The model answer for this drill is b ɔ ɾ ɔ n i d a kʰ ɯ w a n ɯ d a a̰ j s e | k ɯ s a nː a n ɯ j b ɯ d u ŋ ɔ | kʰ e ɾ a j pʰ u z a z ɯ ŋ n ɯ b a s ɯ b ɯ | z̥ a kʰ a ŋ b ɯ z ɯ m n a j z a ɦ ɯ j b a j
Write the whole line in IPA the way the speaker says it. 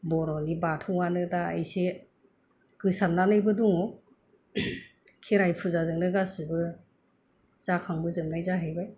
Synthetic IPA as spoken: b ɔ ɾ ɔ n i b a tʰ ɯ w a n ɯ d a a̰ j s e | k ɯ s a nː a n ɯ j b ɯ d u ŋ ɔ | kʰ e ɾ a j pʰ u z a z ɯ ŋ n ɯ ɡ a s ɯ b ɯ | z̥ a kʰ a ŋ b ɯ z ɯ m n a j z a ɦ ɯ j b a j